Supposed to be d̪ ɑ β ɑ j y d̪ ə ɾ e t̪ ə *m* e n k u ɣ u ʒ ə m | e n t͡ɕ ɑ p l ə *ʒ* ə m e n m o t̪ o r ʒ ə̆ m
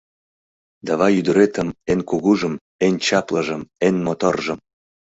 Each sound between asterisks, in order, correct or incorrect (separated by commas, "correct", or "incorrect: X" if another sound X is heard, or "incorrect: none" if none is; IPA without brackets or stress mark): correct, correct